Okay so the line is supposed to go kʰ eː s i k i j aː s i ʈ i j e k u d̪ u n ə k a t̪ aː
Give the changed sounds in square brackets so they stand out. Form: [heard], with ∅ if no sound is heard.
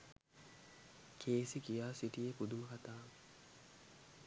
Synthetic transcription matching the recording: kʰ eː s i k i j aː s i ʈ i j e [p] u d̪ u [m] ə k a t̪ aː